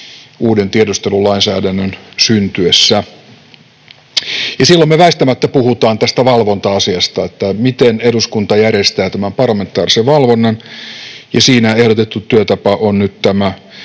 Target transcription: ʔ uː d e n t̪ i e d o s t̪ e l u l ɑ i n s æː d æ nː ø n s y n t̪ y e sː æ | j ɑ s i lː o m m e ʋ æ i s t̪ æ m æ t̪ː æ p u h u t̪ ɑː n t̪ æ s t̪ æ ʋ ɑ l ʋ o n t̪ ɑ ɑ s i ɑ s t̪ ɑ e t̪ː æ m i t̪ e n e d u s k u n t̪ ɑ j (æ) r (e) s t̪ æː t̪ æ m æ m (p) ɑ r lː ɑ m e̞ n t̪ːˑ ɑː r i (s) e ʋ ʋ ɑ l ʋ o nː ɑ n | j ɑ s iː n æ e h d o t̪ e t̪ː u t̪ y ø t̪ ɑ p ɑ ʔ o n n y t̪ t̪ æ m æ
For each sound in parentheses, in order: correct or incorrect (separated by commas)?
correct, correct, correct, correct